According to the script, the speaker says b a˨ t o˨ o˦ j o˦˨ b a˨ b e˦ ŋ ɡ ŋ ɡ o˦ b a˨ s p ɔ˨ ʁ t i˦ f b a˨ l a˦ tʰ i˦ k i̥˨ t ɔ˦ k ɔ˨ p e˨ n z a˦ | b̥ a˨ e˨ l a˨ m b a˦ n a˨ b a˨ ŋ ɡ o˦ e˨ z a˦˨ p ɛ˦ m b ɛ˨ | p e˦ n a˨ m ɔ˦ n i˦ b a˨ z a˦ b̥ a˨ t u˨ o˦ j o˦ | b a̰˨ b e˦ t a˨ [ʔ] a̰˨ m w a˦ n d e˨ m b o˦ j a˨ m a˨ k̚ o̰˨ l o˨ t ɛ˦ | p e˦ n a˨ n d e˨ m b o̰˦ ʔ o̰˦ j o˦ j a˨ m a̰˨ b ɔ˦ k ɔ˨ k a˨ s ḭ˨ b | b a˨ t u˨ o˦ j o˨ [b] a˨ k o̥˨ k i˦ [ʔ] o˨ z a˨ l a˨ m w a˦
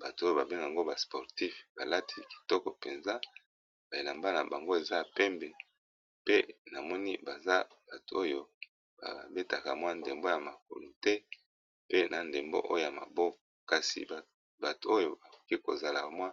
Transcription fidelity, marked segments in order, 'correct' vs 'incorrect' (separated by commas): incorrect, correct, incorrect